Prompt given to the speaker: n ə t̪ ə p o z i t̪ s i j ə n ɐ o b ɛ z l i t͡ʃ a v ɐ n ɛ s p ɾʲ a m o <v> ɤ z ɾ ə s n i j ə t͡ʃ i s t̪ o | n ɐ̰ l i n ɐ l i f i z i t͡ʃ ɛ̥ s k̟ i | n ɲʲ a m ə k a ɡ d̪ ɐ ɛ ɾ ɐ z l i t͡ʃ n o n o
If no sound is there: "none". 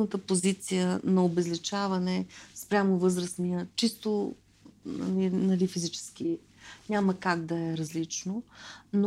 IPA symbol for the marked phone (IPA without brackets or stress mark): v